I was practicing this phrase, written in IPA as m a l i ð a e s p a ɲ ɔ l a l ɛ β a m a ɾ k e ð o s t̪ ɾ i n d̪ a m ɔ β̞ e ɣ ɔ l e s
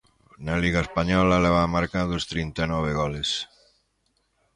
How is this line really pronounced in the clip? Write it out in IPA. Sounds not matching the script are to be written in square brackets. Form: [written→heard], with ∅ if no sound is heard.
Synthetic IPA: [m→n] a l i [ð→ɣ] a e s p a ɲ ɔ l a l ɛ β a m a ɾ k [e→a] ð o s t̪ ɾ i n [d̪→t̪] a [m→n] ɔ β̞ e ɣ ɔ l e s